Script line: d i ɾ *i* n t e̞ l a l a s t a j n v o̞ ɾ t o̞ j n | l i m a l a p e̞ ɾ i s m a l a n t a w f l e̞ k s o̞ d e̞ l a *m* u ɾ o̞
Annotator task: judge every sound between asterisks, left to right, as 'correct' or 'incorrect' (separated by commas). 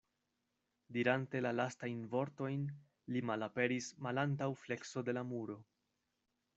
incorrect, correct